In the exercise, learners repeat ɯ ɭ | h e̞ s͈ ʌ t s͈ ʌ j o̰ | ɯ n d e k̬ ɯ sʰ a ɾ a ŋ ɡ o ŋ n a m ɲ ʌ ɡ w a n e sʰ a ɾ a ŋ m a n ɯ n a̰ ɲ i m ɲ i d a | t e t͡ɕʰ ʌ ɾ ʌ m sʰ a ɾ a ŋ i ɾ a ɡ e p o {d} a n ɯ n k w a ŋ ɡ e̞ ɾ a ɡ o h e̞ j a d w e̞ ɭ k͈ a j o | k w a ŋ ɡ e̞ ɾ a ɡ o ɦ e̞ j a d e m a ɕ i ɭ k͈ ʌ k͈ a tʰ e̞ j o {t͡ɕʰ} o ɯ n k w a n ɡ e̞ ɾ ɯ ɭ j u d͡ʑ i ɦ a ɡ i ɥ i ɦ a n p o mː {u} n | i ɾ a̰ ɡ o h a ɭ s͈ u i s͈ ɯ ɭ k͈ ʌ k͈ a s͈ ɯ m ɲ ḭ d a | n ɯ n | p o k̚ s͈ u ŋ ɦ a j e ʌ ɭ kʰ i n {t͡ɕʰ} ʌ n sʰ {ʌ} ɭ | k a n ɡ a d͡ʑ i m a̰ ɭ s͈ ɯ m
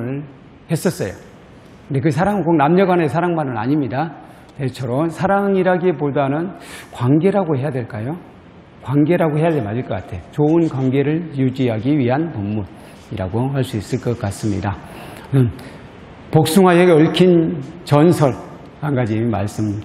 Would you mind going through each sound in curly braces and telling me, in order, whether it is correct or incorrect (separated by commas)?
correct, incorrect, correct, incorrect, correct